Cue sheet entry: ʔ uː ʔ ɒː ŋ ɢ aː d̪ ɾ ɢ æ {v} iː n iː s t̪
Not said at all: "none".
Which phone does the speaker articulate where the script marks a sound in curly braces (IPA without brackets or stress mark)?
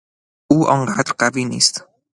v